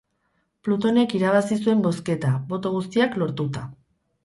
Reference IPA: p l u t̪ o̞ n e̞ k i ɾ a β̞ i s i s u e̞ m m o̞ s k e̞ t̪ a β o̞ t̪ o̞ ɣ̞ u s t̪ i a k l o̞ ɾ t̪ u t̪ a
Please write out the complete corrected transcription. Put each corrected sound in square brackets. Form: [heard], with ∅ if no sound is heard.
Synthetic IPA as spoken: p l u t̪ o̞ n e̞ k i ɾ a β̞ [a] s i s u e̞ m [b] o̞ s k e̞ t̪ a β o̞ t̪ o̞ ɣ̞ u s t̪ i a k l o̞ ɾ t̪ u t̪ a